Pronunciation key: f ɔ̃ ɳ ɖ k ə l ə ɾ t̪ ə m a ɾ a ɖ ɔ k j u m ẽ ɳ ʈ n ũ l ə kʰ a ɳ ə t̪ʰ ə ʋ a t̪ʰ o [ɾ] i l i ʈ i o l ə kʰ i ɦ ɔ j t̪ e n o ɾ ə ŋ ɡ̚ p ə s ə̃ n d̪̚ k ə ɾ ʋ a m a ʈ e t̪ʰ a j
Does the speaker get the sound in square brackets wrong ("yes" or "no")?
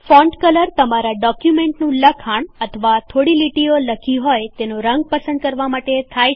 yes